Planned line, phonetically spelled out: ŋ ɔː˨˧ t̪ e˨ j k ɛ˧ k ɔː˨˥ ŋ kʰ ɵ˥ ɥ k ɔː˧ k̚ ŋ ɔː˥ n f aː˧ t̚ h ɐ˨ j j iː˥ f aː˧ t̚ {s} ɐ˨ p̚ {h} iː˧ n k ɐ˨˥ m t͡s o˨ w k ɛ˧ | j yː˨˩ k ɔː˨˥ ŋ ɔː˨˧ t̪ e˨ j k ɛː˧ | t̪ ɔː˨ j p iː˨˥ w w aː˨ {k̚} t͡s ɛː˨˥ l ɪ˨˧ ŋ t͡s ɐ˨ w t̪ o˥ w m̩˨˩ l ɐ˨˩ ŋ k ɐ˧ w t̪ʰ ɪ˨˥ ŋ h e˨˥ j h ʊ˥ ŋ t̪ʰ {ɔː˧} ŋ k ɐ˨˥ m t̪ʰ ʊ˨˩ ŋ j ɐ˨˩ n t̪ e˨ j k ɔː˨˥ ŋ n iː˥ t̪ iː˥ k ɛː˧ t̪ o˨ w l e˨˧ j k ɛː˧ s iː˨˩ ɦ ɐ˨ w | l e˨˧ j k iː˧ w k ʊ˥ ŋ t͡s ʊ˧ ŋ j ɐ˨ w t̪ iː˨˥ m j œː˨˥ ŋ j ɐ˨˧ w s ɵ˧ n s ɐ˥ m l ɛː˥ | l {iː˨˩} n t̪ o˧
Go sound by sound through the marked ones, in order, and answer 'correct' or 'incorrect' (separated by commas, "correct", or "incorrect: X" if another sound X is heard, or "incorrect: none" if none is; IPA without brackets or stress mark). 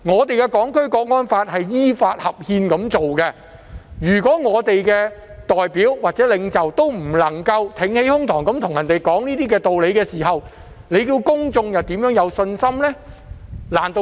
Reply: incorrect: h, correct, incorrect: t̚, incorrect: ɔː˨˩, incorrect: aː˨˩